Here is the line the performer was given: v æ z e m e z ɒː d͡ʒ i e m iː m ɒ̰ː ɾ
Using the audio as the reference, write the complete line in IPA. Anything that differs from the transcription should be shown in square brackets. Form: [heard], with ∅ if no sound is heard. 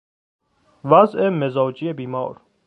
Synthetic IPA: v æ z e m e z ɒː d͡ʒ i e [b] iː m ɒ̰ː ɾ